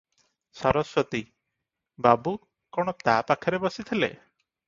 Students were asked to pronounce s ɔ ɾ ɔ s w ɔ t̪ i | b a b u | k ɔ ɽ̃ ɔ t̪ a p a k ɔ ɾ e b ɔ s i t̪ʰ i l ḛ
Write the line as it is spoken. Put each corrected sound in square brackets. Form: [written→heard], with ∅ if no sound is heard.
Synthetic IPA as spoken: s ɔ ɾ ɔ s w ɔ t̪ i | b a b u | k ɔ ɽ̃ ɔ t̪ a p a [k→kʰ] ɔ ɾ e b ɔ s i t̪ʰ i l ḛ